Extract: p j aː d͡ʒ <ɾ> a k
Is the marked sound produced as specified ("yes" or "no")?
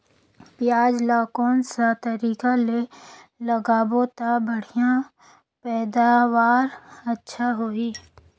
no